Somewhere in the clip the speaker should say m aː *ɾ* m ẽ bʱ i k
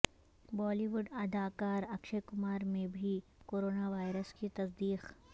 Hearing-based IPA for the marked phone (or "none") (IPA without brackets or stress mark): ɾ